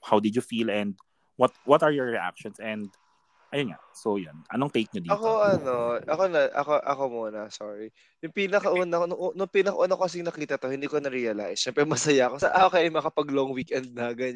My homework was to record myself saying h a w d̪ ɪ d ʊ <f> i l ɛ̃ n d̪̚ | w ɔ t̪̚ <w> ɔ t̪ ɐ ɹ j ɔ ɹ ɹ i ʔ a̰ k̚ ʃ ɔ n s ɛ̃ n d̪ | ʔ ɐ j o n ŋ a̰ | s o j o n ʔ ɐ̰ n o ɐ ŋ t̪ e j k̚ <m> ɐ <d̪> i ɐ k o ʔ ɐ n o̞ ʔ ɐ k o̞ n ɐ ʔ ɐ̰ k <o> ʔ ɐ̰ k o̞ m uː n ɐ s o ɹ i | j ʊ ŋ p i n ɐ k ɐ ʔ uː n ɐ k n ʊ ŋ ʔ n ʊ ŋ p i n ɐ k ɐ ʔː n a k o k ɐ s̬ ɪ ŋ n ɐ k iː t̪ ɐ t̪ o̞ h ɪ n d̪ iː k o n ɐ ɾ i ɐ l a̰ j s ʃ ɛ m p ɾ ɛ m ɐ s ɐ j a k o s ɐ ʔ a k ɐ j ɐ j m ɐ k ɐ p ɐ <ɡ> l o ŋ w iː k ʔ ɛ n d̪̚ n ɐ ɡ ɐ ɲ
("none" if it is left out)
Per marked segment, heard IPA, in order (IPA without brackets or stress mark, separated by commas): f, w, ɲ, d̪, o, ɡ